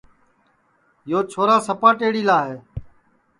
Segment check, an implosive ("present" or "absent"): absent